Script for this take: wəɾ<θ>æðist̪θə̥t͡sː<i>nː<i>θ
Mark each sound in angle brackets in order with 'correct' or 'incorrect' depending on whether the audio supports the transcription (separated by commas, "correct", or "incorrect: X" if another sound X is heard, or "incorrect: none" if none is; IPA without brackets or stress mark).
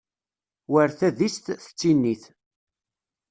correct, correct, correct